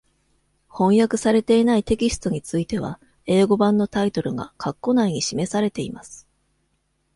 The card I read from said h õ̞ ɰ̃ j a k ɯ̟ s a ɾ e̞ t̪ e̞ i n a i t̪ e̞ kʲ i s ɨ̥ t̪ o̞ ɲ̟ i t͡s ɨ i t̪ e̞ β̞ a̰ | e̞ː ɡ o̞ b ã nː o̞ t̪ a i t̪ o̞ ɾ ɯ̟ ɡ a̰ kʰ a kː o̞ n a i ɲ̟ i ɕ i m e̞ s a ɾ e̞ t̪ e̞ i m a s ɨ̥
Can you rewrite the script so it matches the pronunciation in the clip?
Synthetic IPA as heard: h õ̞ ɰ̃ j a k ɯ̟ s a ɾ e̞ t̪ e̞ i n a i t̪ e̞ kʲ i s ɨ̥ t̪ o̞ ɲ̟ i t͡s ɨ i t̪ e̞ β̞ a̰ | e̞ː ɡ o̞ b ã nː o̞ t̪ a i t̪ o̞ ɾ ɯ̟ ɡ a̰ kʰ a kː o̞ n a i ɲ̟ i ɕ i m e̞ s a ɾ e̞ t̪ e̞ i m a s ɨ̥